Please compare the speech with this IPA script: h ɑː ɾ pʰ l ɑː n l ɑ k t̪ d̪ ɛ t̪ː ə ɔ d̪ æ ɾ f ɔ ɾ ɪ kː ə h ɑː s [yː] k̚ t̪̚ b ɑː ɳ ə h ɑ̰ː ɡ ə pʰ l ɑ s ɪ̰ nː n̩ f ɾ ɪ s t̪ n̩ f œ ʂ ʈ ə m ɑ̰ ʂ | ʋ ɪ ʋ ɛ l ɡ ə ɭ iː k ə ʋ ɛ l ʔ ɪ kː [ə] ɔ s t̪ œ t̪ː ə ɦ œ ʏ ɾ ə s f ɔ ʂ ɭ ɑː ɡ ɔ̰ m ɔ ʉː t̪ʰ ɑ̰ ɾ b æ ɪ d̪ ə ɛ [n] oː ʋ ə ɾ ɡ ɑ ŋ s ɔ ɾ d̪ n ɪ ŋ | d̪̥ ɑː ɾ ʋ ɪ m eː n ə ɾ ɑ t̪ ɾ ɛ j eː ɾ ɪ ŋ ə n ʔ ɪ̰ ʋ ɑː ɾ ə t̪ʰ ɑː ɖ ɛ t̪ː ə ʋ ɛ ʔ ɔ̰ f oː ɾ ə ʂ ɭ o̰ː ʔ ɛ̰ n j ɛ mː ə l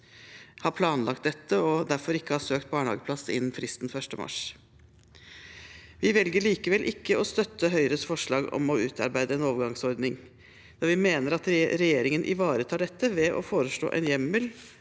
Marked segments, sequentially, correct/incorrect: incorrect: øː, correct, correct

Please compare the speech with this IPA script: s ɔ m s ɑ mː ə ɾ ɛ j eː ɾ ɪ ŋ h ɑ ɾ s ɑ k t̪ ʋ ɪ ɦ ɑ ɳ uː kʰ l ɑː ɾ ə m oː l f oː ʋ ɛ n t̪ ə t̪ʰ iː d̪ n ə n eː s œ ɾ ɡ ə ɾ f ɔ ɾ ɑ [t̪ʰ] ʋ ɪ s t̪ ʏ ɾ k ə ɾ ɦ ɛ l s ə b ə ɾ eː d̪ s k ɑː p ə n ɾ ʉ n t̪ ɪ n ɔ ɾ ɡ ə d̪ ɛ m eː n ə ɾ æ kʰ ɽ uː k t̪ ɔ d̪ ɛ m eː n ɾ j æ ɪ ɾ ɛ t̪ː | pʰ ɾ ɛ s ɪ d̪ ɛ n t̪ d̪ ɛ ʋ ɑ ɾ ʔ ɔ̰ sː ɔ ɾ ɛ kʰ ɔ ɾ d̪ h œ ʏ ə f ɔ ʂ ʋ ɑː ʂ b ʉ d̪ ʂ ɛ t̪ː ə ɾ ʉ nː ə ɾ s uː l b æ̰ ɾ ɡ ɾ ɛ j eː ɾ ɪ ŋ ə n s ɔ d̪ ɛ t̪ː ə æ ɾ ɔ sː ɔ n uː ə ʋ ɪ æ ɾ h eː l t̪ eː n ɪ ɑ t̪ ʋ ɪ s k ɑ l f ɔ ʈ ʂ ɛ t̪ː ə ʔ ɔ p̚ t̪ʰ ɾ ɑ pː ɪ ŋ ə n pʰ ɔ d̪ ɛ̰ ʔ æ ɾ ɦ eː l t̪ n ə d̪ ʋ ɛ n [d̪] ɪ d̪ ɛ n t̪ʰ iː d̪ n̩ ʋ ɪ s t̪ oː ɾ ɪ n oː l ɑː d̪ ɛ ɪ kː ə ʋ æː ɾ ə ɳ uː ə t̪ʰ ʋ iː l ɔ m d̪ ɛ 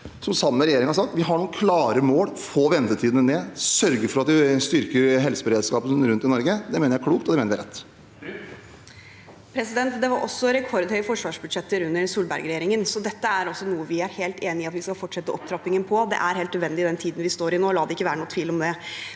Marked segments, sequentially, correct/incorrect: incorrect: t̪, correct

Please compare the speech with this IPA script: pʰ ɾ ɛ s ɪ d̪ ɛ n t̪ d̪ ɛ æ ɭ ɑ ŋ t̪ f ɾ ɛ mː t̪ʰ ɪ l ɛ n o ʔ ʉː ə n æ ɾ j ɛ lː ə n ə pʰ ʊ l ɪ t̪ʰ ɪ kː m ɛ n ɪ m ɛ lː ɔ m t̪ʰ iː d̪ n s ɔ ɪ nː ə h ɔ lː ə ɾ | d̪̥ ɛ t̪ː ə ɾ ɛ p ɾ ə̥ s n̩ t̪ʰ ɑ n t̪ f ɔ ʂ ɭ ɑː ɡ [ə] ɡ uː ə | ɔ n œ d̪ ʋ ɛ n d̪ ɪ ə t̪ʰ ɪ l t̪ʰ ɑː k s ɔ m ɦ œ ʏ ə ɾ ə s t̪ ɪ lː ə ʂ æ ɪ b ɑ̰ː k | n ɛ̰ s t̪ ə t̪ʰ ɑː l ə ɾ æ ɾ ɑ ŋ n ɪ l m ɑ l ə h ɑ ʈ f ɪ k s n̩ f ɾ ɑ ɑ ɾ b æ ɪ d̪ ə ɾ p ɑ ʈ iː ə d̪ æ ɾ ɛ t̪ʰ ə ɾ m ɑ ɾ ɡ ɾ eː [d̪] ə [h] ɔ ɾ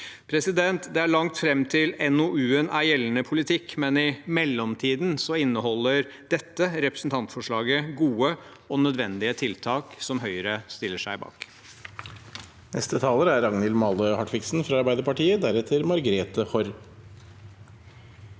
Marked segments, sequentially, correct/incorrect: correct, incorrect: t̪, correct

